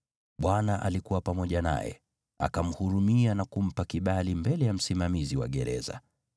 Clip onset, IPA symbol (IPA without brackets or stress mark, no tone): ɓ